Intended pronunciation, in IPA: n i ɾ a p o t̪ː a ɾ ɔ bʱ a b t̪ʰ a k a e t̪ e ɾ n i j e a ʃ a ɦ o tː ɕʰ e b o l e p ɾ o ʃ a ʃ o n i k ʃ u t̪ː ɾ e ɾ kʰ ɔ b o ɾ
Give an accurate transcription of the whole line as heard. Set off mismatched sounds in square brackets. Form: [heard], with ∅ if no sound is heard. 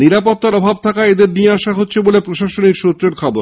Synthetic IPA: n i ɾ a p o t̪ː a ɾ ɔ bʱ a b t̪ʰ a k a e [d̪] e ɾ n i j e a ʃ a ɦ o tː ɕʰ e b o l e p ɾ o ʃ a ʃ o n i k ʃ u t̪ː ɾ e ɾ kʰ ɔ b o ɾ

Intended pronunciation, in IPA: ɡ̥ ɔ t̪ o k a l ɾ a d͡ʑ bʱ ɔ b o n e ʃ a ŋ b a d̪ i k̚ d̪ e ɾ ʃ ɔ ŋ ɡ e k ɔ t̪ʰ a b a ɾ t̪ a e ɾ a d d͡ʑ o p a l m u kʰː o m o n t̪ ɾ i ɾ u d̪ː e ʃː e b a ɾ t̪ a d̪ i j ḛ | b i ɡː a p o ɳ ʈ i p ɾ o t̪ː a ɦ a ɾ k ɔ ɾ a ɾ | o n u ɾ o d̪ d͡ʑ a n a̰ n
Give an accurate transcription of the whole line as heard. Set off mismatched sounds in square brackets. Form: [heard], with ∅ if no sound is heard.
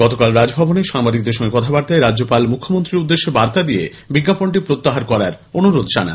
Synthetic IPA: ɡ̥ ɔ t̪ o k a l ɾ a d͡ʑ bʱ ɔ b o n e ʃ a ŋ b a d̪ i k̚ d̪ e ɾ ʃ ɔ ŋ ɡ e k ɔ t̪ʰ a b a ɾ t̪ a e ɾ a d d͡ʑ o p a l m u kʰː o m o n t̪ ɾ i ɾ u d̪ː e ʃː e b a ɾ t̪ a d̪ i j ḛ | b i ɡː a p o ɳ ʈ i p ɾ o t̪ː a ɦ a ɾ k ɔ ɾ a ɾ | o n u ɾ o d̪ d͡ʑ a n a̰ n

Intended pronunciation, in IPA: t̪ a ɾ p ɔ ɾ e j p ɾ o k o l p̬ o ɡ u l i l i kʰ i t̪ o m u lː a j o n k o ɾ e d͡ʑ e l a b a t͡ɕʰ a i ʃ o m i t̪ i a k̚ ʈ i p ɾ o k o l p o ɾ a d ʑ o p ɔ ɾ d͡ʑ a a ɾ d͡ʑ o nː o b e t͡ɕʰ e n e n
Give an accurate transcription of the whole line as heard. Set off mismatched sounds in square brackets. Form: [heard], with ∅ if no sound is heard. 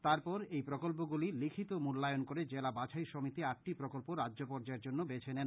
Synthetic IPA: t̪ a ɾ p ɔ ɾ e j p ɾ o k o l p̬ o ɡ u l i l i kʰ i t̪ o m u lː a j o n k o ɾ e d͡ʑ e l a b a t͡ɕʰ a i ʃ o m i t̪ i a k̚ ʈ i p ɾ o k o l p o ɾ a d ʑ o p ɔ ɾ d͡ʑ a [e] ɾ d͡ʑ o nː o b e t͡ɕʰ e n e n

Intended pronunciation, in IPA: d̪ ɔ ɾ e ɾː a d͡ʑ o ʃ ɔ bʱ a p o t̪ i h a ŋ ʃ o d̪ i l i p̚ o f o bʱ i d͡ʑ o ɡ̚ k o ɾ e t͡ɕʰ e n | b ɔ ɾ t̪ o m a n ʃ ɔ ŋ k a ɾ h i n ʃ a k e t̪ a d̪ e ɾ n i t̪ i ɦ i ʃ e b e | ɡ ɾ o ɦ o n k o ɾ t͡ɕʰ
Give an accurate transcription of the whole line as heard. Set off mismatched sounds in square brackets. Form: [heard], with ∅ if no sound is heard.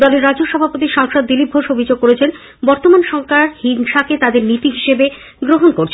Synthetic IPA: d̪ ɔ [l] e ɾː a d͡ʑ o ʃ ɔ bʱ a p o t̪ i [ʃ] a ŋ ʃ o [d̪ː] i l i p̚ o [ʃ] o bʱ i d͡ʑ o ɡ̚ k o ɾ e t͡ɕʰ e n | b ɔ ɾ t̪ o m a n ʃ ɔ ŋ k a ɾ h i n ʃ a k e t̪ a d̪ e ɾ n i t̪ i ɦ i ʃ e b e | ɡ ɾ o ɦ o n k o ɾ t͡ɕʰ

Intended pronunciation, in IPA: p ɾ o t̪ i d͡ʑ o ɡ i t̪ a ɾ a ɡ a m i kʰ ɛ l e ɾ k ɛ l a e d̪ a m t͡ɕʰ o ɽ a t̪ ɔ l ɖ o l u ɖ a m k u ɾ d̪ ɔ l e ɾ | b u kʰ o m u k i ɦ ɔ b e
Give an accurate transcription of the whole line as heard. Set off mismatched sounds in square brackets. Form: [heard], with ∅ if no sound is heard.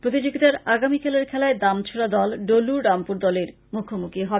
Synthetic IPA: p ɾ o t̪ i d͡ʑ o ɡ i t̪ a ɾ a ɡ a m i kʰ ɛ l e ɾ [kʰ] ɛ l a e d̪ a m t͡ɕʰ o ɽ a [d̪] ɔ l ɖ o l u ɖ a m [p] u ɾ d̪ ɔ l e ɾ | [m] u kʰ o m u k i ɦ ɔ b e

